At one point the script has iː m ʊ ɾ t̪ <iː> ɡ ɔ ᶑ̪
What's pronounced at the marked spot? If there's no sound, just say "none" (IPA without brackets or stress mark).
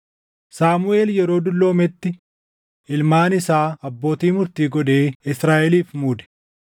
iː